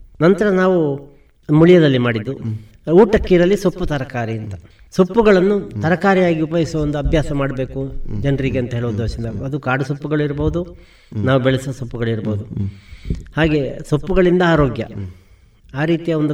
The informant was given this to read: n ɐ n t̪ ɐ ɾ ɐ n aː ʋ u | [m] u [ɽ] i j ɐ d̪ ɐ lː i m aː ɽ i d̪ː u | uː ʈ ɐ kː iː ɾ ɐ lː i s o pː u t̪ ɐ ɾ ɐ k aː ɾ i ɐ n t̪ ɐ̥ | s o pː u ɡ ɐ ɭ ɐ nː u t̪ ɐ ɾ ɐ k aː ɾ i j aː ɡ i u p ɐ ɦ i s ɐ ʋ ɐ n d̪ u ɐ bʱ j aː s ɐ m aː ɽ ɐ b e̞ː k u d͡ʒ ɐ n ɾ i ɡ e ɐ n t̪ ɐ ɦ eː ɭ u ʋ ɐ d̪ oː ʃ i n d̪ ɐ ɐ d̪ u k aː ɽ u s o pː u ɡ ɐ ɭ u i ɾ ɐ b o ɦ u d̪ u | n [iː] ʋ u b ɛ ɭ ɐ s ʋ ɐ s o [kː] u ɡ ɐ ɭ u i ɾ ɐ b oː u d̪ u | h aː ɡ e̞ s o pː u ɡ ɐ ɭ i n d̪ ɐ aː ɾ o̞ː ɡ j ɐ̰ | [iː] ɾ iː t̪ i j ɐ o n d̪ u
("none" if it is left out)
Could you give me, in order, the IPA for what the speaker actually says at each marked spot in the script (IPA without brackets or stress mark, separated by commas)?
m, ɭ, aː, pː, aː